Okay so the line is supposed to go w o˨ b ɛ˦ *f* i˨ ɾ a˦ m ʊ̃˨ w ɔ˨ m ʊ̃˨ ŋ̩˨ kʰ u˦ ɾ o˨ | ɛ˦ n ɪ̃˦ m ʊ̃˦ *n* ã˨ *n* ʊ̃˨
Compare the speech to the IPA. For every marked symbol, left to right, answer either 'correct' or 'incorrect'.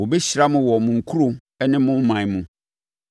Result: incorrect, incorrect, incorrect

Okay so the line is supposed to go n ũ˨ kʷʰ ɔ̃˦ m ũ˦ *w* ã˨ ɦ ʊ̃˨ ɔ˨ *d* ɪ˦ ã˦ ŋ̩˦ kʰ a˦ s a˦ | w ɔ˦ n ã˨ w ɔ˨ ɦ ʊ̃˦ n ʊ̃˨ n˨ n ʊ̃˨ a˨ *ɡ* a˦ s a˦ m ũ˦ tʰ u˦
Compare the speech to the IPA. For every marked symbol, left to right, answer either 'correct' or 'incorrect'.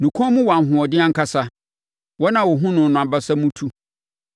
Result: correct, correct, incorrect

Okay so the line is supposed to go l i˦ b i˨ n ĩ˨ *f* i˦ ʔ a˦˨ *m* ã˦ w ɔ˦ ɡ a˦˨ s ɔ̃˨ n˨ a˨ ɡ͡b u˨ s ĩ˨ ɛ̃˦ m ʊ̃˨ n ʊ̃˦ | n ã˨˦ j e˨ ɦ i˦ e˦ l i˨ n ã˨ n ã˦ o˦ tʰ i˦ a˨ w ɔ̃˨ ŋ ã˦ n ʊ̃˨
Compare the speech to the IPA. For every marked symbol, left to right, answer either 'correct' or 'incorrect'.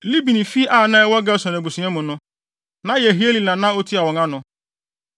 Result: correct, incorrect

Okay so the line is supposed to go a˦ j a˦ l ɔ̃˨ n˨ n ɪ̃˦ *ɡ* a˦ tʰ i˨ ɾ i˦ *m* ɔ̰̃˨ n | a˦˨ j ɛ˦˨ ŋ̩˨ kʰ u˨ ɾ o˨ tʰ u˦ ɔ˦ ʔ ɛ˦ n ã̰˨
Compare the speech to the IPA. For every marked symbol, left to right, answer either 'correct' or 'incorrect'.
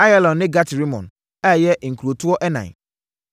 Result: correct, correct

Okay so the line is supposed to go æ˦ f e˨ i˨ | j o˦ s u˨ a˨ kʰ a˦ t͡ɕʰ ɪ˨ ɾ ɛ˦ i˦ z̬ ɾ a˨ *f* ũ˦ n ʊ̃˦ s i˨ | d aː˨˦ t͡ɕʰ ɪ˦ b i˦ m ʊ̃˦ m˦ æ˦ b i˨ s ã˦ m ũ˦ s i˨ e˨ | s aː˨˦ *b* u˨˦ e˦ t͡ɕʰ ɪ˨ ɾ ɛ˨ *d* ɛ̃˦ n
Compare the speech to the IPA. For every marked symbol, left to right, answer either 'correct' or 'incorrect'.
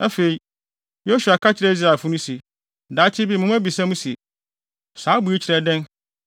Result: correct, correct, correct

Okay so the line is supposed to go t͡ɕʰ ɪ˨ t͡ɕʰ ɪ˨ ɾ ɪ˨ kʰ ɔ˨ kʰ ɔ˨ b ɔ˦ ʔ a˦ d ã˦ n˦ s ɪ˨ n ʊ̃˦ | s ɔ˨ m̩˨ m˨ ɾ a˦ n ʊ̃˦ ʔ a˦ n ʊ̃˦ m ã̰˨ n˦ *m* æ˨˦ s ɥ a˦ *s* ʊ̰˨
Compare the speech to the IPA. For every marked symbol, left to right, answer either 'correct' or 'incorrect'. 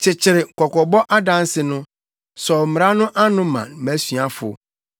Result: correct, incorrect

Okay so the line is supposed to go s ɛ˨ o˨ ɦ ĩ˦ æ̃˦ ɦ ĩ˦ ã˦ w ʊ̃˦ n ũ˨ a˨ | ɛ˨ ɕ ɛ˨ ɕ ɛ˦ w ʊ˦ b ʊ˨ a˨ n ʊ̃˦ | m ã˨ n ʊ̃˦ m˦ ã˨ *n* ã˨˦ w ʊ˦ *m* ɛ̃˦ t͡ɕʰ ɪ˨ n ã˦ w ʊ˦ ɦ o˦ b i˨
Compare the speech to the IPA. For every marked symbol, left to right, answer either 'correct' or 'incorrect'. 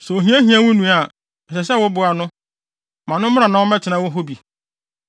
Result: correct, correct

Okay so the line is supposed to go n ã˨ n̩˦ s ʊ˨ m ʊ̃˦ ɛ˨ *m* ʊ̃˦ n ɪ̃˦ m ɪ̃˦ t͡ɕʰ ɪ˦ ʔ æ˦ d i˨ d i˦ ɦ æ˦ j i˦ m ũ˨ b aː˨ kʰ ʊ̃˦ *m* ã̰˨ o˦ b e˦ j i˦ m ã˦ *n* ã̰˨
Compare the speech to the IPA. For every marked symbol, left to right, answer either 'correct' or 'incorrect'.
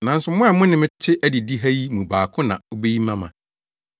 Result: correct, incorrect, incorrect

